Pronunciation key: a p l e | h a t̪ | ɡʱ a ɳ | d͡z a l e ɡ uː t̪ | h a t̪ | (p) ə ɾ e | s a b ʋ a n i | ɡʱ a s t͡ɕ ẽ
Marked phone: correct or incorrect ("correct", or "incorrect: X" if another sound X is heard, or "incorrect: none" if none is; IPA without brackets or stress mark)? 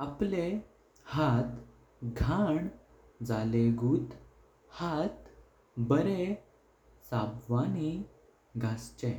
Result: incorrect: b